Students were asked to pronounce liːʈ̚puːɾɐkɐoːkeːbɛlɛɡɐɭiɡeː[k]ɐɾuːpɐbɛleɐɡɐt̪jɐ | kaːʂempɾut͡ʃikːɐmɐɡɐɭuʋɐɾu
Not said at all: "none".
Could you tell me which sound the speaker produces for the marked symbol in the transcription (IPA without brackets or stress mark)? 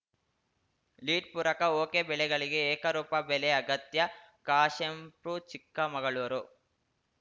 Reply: k